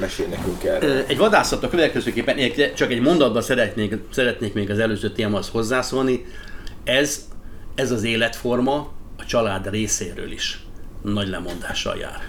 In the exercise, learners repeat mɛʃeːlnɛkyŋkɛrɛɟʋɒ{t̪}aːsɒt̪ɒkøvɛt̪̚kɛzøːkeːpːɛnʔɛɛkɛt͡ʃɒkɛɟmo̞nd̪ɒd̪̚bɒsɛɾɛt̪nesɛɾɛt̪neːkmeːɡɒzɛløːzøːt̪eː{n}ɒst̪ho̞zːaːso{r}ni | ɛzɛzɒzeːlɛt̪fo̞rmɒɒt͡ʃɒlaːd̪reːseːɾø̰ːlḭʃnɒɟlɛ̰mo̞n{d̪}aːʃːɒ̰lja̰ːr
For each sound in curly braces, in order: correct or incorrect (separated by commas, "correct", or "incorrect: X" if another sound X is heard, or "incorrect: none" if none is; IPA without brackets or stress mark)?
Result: incorrect: d̪, incorrect: m, incorrect: l, correct